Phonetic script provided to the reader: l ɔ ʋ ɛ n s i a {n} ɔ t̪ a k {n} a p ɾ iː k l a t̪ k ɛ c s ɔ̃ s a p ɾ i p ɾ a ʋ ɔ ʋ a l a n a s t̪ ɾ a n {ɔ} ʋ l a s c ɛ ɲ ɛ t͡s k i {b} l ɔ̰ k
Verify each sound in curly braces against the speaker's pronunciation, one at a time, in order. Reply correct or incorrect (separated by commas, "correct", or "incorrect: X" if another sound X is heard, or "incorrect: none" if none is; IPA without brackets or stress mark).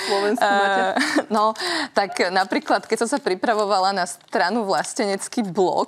correct, correct, incorrect: u, correct